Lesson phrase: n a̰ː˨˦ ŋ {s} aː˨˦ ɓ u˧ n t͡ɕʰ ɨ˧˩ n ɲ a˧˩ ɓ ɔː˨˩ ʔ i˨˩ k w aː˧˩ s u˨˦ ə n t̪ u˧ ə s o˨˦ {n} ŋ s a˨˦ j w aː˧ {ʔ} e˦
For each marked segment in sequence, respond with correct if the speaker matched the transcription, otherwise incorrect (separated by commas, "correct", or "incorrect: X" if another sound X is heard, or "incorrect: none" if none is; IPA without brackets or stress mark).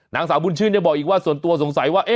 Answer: correct, incorrect: none, correct